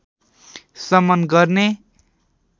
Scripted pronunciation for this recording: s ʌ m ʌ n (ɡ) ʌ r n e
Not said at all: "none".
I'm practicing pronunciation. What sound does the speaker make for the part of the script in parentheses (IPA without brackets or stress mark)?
ɡ